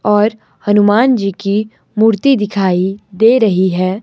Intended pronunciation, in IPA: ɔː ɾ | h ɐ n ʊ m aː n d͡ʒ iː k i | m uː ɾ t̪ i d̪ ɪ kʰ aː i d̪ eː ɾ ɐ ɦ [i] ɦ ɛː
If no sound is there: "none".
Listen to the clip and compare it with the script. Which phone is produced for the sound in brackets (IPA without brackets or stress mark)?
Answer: i